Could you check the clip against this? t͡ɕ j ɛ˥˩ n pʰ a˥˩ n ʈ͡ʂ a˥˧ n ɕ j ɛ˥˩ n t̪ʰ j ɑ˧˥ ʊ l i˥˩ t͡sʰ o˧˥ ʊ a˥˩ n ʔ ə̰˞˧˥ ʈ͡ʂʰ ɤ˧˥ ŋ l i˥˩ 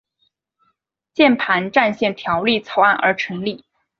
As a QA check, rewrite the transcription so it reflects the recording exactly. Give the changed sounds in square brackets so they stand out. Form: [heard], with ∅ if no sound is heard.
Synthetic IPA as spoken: t͡ɕ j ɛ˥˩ n pʰ [a˧˥] n ʈ͡ʂ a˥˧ n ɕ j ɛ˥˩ n t̪ʰ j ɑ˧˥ ʊ l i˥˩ t͡sʰ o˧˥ ʊ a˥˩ n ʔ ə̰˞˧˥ ʈ͡ʂʰ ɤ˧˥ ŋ l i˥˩